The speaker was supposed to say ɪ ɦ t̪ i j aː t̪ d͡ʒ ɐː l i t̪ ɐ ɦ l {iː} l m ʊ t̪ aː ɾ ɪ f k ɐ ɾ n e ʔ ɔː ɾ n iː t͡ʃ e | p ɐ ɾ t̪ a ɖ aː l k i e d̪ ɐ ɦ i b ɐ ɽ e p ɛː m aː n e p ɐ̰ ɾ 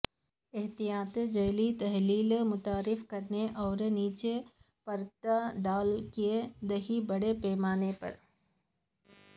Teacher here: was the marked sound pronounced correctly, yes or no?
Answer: yes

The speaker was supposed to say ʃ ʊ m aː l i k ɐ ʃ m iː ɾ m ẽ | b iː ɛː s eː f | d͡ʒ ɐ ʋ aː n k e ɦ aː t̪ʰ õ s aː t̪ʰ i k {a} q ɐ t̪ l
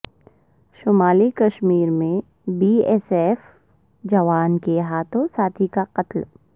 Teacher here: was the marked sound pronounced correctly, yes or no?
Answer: yes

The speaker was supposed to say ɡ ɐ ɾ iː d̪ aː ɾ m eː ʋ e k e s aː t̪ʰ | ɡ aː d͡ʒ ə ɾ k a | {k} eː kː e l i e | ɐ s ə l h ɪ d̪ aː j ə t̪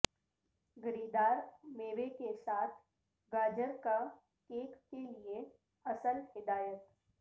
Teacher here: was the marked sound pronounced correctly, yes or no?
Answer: yes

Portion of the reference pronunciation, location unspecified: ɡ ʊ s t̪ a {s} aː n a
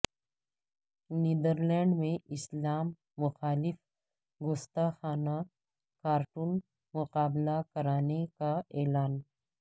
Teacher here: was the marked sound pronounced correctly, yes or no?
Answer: no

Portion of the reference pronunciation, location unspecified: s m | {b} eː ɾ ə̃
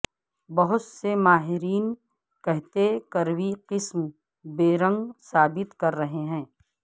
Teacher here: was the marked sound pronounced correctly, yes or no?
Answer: yes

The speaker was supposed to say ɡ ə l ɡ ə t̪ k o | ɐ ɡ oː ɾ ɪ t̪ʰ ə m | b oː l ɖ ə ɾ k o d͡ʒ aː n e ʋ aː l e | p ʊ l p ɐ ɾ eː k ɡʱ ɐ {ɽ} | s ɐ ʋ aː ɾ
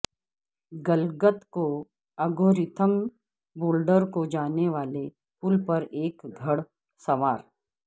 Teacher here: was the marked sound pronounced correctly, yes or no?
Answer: yes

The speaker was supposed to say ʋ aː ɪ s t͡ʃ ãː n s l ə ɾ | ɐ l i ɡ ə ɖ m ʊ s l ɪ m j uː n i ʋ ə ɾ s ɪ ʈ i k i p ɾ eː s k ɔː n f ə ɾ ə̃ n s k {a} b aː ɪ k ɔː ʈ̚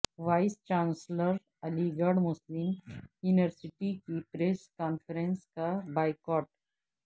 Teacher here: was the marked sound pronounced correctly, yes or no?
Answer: yes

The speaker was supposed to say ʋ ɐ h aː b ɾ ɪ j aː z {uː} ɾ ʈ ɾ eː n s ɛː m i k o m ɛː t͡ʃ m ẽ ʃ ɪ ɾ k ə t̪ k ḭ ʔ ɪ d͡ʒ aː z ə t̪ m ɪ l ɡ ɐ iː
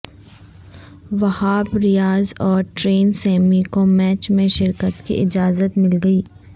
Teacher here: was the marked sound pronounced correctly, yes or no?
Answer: no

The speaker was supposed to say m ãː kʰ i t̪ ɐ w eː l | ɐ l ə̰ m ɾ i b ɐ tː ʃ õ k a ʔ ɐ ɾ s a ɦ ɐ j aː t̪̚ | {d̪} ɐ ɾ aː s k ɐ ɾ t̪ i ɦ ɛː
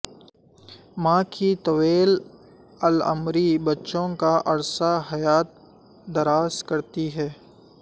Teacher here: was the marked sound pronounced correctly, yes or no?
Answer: yes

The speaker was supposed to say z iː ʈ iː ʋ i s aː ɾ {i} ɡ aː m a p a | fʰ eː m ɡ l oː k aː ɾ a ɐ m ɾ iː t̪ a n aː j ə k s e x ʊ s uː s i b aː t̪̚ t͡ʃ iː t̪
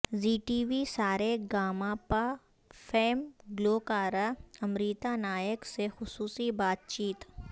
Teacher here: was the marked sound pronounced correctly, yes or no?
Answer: no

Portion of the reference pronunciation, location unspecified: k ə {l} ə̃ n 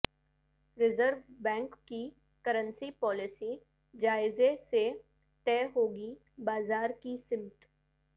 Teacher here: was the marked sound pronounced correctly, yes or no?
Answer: no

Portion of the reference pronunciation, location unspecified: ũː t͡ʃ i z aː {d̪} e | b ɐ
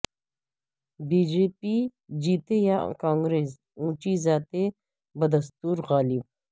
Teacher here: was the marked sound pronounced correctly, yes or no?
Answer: no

